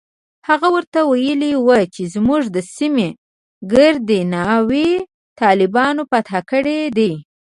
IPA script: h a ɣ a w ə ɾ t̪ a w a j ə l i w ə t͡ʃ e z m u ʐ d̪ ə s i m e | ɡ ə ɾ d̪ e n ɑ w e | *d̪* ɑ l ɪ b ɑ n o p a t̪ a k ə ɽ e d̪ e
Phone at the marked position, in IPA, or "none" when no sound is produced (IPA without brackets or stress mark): t̪